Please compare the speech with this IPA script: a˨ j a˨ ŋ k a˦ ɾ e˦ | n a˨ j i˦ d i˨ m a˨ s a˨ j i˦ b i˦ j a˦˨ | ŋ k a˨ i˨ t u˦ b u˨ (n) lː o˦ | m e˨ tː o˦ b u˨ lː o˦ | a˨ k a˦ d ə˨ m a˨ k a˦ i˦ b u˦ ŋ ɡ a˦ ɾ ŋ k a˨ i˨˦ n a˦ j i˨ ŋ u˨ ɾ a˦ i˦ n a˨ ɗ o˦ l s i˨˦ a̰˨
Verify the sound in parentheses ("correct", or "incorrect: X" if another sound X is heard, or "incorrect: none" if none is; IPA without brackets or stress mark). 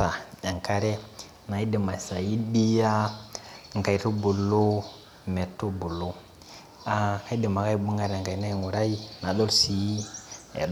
incorrect: none